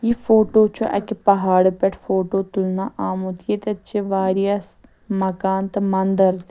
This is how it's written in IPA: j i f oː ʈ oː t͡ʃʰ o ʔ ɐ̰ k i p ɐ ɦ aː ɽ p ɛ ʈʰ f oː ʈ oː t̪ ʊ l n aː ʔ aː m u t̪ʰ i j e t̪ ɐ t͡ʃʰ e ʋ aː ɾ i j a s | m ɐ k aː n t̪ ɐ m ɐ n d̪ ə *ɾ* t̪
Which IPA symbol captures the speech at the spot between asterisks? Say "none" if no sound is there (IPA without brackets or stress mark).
ɾ